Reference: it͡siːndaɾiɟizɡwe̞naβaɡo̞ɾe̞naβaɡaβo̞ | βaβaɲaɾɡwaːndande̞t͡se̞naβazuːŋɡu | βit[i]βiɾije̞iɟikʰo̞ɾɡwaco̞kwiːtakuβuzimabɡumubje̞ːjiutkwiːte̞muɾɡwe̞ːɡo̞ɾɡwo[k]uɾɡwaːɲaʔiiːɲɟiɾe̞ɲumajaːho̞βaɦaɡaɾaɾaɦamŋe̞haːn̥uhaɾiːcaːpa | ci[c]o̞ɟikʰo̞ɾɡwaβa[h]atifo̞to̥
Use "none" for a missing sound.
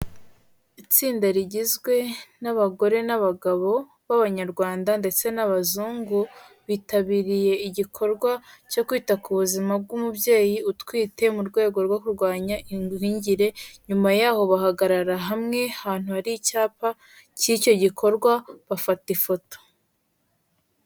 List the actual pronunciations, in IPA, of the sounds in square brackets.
a, k, c, f

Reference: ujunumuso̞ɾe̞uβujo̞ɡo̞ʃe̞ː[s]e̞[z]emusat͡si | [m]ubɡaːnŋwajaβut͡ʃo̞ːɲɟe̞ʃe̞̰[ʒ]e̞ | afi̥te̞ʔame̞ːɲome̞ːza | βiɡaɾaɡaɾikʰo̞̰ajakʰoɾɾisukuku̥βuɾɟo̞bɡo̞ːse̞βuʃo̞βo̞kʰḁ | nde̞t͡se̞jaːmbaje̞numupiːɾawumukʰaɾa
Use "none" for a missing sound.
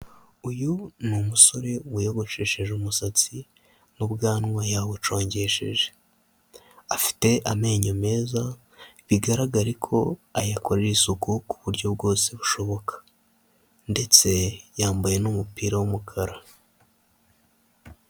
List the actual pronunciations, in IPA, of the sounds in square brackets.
ʃ, ʒ, n, ʒ

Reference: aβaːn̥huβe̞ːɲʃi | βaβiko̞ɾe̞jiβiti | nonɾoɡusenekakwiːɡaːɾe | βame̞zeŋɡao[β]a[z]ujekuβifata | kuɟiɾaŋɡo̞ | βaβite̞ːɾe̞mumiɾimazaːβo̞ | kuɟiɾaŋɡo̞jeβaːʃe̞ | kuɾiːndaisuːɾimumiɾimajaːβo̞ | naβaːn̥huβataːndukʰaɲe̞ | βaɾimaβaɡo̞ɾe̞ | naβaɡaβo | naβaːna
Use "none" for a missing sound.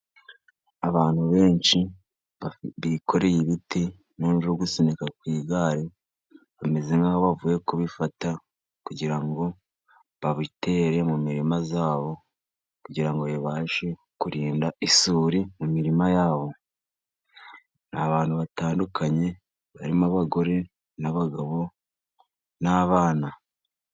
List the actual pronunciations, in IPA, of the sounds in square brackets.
β, v

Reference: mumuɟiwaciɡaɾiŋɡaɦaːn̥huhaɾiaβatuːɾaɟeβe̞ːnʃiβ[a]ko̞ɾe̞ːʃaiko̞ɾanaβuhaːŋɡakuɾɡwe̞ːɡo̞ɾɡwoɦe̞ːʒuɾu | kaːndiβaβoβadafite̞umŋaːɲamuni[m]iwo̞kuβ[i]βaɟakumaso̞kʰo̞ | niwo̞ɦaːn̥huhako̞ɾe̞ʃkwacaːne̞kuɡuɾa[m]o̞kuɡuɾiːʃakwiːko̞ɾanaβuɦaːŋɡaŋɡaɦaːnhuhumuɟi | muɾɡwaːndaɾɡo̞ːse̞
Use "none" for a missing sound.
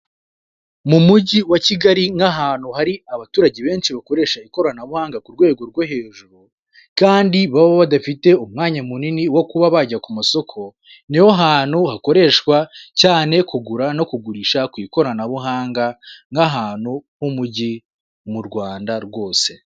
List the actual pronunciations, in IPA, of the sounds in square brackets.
a, n, a, n

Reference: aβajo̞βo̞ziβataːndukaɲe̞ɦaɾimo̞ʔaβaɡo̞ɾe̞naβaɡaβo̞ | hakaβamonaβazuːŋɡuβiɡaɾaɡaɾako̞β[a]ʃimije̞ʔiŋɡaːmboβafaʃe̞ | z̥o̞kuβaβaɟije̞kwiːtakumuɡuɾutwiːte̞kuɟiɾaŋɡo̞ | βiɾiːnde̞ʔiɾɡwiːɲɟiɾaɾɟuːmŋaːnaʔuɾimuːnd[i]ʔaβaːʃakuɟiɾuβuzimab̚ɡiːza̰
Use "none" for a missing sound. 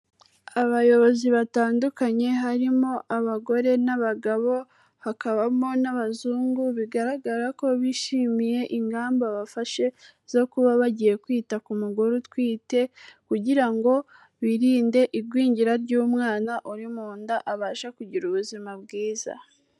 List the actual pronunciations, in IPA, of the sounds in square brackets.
i, a

